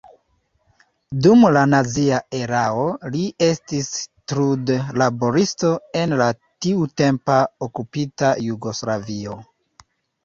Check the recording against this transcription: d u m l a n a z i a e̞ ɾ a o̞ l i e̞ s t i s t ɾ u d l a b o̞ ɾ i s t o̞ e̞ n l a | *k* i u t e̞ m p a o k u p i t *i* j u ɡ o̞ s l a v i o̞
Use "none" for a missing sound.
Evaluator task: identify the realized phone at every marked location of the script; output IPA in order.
t, a

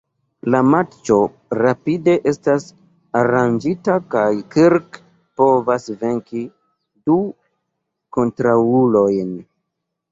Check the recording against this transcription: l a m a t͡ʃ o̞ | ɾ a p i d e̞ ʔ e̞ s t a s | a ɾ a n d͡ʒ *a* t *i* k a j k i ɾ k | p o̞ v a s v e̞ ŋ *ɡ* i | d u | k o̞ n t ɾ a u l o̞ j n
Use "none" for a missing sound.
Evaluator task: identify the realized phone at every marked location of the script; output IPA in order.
i, a, k

